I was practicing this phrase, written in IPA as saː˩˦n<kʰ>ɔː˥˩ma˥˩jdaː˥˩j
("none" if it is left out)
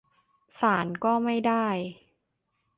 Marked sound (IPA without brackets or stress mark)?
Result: k